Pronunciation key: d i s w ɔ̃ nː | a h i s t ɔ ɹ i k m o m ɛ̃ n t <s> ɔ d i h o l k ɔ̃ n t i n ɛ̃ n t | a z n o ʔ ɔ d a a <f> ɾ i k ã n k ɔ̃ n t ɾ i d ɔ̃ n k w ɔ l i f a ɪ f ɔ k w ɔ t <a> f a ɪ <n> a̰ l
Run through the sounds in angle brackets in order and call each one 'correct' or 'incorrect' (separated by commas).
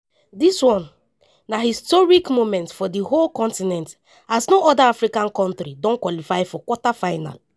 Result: incorrect, correct, correct, correct